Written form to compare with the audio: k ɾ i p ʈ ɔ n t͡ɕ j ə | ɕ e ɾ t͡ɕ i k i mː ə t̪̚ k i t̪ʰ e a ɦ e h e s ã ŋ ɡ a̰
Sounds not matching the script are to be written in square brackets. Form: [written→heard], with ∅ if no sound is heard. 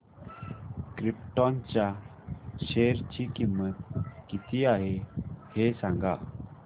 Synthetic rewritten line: k ɾ i p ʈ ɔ n t͡ɕ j [ə→a] | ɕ e ɾ t͡ɕ i k i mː ə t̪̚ k i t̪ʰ [e→i] a ɦ e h e s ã ŋ ɡ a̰